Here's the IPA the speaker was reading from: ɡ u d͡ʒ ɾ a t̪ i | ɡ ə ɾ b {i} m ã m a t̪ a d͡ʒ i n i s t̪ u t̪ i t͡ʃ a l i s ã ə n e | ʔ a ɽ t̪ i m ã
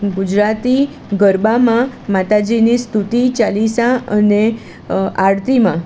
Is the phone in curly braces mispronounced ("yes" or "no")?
yes